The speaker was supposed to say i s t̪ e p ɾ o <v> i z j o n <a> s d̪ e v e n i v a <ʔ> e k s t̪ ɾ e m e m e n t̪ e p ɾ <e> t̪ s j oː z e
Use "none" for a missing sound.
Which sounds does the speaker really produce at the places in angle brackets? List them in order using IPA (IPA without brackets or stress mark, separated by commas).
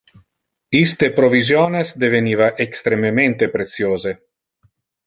v, e, ʔ, e